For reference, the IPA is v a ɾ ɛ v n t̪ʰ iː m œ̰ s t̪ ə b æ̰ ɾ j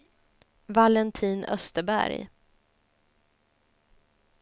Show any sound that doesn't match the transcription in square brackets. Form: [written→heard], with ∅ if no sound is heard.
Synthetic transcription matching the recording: v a [ɾ→l] ɛ [v→∅] n t̪ʰ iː [m→n] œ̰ s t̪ ə b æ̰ ɾ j